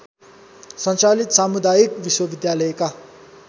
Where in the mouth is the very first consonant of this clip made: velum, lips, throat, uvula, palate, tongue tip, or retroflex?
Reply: tongue tip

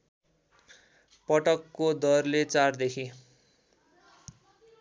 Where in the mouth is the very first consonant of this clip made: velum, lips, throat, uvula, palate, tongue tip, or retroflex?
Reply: lips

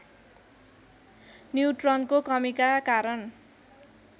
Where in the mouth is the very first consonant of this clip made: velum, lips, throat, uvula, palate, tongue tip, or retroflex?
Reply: tongue tip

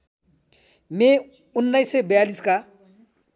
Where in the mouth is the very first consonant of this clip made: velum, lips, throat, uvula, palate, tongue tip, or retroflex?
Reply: lips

